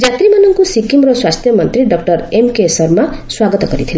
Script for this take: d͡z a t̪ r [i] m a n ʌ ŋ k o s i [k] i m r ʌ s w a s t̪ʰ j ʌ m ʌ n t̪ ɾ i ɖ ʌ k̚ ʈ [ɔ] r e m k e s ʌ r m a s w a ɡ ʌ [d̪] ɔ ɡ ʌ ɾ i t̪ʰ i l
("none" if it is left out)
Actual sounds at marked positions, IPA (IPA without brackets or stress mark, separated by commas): i, k, ʌ, t̪